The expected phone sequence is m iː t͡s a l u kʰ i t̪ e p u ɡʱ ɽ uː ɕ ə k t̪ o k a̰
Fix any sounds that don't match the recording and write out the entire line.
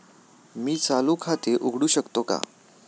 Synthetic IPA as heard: m iː t͡s a l u kʰ a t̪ e ʔ u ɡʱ ɽ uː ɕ ə k t̪ o k a̰